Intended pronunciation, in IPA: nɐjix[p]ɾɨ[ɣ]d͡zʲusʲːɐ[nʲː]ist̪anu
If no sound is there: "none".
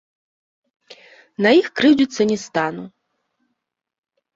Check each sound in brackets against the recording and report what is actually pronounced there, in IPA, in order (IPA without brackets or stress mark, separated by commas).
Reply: k, w, nʲ